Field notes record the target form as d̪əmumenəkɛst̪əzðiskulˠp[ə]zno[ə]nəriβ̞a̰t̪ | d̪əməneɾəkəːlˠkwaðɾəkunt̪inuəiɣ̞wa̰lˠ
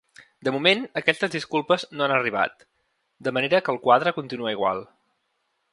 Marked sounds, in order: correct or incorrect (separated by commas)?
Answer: correct, incorrect